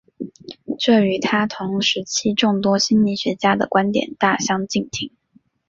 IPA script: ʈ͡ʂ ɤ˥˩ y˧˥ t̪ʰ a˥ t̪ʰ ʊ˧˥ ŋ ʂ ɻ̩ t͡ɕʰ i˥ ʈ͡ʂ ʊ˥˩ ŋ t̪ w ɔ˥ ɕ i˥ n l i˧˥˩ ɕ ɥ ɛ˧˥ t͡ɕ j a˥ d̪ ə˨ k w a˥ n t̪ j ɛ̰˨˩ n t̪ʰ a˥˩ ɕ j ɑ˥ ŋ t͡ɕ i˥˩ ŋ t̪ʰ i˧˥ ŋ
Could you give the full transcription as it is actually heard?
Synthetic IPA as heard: ʈ͡ʂ ɤ˥˩ y˧˥ t̪ʰ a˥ t̪ʰ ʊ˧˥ ŋ ʂ ɻ̩ t͡ɕʰ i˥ ʈ͡ʂ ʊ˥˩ ŋ t̪ w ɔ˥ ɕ i˥ n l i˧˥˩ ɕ ɥ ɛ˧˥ t͡ɕ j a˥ d̪ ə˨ k w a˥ n t̪ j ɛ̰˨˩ n t̪ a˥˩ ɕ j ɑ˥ ŋ t͡ɕ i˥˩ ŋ t̪ʰ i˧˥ ŋ